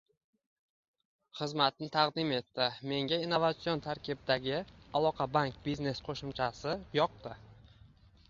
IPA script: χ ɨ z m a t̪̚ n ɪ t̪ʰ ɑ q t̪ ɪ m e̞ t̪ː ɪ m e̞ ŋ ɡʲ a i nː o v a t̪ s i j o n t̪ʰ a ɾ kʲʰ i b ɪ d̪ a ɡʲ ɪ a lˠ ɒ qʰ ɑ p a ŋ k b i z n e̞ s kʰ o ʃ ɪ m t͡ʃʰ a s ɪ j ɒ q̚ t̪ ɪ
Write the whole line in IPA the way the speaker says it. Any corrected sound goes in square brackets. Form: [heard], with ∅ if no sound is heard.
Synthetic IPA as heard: χ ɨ z m a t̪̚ n ɪ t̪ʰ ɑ q [d̪] ɪ m e̞ t̪ː ɪ m e̞ ŋ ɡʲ a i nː o v a t̪ s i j o n t̪ʰ a ɾ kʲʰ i b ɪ d̪ a ɡʲ ɪ a lˠ ɒ qʰ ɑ [b] a ŋ k b i z n e̞ s [qʰ] o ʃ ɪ m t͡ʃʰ a s ɪ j ɒ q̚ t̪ ɪ